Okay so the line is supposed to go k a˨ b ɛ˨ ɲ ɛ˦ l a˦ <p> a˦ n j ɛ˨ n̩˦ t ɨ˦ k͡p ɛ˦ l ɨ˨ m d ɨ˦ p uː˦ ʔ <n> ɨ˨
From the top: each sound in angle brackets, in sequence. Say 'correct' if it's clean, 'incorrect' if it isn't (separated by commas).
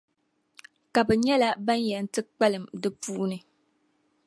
incorrect, correct